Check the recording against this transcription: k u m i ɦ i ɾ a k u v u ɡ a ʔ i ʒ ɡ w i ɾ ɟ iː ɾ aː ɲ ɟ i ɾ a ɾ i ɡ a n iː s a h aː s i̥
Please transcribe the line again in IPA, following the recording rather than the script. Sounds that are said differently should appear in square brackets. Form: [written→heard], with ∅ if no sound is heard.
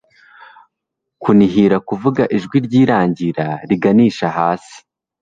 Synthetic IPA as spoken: k u [m→n] i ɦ i ɾ a k u v u ɡ a ʔ i ʒ ɡ w i ɾ ɟ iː ɾ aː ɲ ɟ i ɾ a ɾ i ɡ a n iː [s→ʃ] a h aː s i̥